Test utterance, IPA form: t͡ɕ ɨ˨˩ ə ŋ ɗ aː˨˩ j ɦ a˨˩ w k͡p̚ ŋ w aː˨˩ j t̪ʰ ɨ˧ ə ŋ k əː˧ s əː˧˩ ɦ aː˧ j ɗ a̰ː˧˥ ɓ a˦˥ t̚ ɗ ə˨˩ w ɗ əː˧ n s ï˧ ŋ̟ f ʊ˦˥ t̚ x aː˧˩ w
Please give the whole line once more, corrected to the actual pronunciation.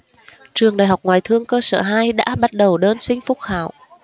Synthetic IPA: t͡ɕ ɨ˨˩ ə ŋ ɗ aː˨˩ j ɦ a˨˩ w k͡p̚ ŋ w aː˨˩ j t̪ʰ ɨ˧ ə ŋ k əː˧ s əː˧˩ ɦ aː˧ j ɗ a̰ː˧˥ ɓ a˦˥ t̚ ɗ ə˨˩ w ɗ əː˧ n s ï˧ ŋ̟ f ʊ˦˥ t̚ x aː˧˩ w